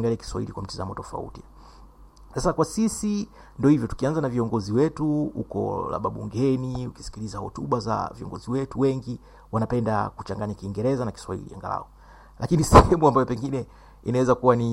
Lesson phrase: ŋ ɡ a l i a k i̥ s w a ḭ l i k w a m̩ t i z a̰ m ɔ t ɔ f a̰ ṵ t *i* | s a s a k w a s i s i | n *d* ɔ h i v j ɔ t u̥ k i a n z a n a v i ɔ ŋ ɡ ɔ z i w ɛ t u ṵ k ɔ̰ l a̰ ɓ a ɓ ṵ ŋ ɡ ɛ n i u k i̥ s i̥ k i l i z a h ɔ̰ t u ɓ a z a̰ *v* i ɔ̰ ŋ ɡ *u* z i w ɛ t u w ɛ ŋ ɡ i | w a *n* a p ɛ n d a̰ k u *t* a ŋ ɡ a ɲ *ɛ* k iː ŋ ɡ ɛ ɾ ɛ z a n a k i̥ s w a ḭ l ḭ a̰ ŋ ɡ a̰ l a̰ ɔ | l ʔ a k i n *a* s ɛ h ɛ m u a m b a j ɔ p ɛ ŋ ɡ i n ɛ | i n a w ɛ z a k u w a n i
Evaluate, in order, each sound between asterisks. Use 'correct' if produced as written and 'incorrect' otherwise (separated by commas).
correct, correct, correct, incorrect, correct, incorrect, incorrect, incorrect